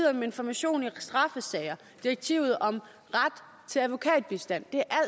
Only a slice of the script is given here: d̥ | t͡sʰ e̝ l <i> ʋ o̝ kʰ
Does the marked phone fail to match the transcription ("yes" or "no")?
yes